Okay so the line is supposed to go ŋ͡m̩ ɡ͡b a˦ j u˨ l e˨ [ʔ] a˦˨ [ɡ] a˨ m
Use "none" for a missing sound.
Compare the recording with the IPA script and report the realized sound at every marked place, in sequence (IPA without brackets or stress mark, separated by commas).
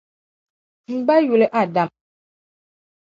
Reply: ʔ, d